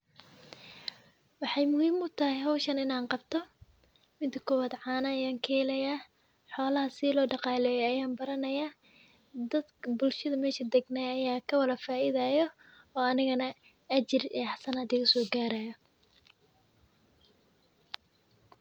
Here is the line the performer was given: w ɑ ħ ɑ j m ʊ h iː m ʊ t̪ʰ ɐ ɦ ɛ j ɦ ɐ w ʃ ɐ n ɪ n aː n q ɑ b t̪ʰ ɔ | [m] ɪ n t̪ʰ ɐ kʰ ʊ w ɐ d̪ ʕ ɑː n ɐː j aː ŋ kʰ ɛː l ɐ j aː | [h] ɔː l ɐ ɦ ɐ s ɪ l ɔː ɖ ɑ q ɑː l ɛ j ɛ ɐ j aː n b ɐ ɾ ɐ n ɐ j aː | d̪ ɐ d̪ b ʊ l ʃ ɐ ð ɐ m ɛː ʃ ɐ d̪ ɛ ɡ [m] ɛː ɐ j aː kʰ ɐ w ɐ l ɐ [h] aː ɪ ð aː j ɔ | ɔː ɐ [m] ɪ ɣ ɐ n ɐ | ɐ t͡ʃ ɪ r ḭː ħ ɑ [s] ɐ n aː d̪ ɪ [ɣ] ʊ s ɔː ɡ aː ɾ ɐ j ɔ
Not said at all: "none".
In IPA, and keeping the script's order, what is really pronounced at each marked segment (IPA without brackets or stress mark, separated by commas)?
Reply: m, ħ, n, f, n, s, ɣ